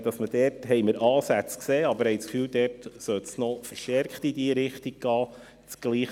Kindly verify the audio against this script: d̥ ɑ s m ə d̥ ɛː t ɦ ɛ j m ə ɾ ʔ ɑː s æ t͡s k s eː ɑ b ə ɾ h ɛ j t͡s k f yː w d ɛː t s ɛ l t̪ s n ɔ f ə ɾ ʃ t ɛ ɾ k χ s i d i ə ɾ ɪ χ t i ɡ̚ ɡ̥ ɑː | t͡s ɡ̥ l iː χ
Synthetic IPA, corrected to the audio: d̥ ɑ s m ə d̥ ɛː t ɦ ɛ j m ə ɾ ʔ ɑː s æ t͡s k s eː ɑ b ə ɾ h ɛ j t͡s k f yː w d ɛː t s œ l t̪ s n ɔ f ə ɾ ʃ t ɛ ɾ k χ t i d i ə ɾ ɪ χ t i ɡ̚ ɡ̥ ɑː | t͡s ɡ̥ l iː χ